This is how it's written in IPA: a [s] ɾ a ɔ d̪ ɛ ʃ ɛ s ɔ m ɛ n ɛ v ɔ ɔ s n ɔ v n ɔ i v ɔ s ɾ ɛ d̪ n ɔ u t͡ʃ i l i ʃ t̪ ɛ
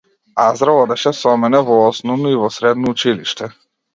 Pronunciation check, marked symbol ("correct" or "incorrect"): incorrect